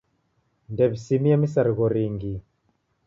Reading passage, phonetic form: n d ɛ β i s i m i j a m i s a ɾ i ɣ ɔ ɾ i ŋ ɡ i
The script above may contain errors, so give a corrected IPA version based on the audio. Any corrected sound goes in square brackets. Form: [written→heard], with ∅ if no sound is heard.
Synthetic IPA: n d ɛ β i s i m i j a m i s a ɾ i ɣ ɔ ɾ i ŋ ɡ i